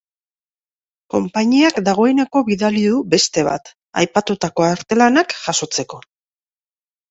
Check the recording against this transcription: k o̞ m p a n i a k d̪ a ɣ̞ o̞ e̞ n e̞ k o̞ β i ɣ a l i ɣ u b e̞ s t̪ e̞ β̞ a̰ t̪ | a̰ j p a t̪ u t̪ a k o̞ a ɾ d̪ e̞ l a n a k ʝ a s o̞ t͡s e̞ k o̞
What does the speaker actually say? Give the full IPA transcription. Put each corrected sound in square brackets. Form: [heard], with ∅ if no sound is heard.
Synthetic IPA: k o̞ m p a [ɲ] i a k d̪ a ɣ̞ o̞ e̞ n e̞ k o̞ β i [ð] a l i [ð] u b e̞ s t̪ e̞ β̞ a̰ t̪ | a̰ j p a t̪ u t̪ a k o̞ a ɾ [t̪] e̞ l a n a k ʝ a s o̞ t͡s e̞ k o̞